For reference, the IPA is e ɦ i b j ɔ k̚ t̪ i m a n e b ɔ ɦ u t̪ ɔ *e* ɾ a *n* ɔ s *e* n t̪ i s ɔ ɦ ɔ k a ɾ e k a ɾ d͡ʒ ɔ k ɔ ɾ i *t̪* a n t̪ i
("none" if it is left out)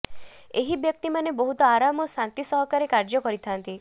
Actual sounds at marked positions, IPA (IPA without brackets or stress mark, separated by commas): a, m, a, t̪ʰ